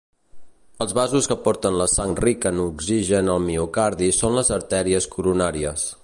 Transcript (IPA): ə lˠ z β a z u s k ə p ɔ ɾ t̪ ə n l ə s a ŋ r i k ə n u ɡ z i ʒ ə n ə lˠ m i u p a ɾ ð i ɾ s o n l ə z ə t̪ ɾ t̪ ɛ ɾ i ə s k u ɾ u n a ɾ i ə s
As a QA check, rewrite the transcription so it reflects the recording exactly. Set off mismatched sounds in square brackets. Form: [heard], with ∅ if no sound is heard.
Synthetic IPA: ə lˠ z β a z u s k ə p ɔ ɾ t̪ ə n l ə s a ŋ r i k ə n u ɡ z i ʒ ə n ə lˠ m i u [k] a ɾ ð i [∅] s o n l ə z ə [∅] ɾ t̪ ɛ ɾ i ə s k u ɾ u n a ɾ i ə s